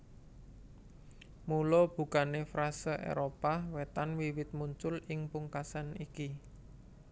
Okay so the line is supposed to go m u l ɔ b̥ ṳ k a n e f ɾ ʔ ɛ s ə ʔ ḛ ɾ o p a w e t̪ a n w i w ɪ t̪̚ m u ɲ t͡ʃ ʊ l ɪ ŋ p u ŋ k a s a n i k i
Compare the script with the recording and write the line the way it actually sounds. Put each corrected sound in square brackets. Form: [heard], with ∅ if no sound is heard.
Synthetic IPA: m u l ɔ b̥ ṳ k a n e f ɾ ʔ [a] s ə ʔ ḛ ɾ o p a w e t̪ a n w i w ɪ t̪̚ m u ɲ t͡ʃ ʊ l ɪ ŋ p u ŋ k a s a n i k i